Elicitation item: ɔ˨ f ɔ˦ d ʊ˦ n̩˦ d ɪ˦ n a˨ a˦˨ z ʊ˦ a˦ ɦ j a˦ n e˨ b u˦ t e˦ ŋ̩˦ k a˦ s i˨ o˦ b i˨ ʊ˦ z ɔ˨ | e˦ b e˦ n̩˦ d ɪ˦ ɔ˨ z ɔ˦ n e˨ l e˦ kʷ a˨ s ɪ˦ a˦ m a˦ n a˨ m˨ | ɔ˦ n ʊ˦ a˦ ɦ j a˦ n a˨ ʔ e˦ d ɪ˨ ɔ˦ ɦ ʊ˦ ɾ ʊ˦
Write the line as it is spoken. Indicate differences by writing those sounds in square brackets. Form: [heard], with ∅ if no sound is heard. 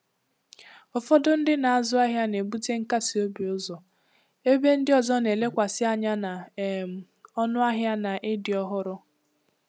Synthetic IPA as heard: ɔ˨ f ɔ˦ d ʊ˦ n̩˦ d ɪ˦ n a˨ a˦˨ z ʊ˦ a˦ ɦ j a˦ n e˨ b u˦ t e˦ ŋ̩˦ k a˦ s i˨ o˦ b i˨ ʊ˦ z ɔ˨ | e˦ b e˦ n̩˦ d ɪ˦ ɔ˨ z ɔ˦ n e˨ l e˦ kʷ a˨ s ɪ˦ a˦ [ɲ] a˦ n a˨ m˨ | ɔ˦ n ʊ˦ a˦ ɦ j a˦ n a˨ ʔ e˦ d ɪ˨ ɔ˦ ɦ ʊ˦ ɾ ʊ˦